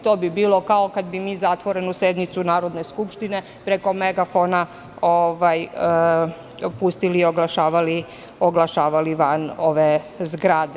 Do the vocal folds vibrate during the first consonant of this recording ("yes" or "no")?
no